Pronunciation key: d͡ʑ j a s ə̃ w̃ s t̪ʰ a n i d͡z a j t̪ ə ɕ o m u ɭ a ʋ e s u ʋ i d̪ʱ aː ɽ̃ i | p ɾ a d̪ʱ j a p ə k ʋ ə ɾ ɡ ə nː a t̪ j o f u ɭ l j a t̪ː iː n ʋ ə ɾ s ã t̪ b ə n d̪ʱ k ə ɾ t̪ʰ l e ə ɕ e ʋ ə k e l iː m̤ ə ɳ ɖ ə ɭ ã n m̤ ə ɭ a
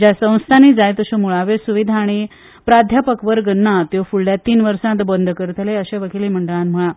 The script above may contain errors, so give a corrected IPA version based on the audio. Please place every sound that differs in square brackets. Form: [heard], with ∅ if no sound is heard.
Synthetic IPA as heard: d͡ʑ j a s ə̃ w̃ s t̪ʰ a n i d͡z a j t̪ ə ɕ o m u ɭ a ʋ e s u ʋ i d̪ʱ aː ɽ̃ i | p ɾ a d̪ʱ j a p ə k ʋ ə ɾ ɡ ə nː a t̪ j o f u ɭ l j a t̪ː iː n ʋ ə ɾ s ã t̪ b ə n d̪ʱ k ə ɾ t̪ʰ l e ə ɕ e ʋ ə k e l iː m̤ ə ɳ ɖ ə ɭ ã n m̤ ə ɭ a